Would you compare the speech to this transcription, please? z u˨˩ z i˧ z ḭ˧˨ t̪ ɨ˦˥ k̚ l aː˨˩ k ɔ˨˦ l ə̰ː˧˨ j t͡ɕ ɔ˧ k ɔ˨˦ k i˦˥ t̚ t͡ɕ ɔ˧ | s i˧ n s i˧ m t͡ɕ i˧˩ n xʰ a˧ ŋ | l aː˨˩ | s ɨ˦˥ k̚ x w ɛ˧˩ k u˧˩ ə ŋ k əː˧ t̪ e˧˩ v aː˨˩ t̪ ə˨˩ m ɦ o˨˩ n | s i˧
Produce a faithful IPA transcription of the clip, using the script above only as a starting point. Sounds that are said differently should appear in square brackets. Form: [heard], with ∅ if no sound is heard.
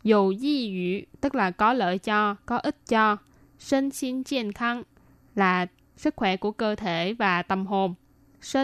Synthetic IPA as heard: z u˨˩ z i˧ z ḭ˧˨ t̪ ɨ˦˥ k̚ l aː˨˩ k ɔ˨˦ l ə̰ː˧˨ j t͡ɕ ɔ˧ k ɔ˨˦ [ʔ] i˦˥ t̚ t͡ɕ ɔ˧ | s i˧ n s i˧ [n] t͡ɕ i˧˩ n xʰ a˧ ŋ | l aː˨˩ | s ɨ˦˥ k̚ x w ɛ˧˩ k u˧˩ ə [∅] k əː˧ [t̪ʰ] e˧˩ v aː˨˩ t̪ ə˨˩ m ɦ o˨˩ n | s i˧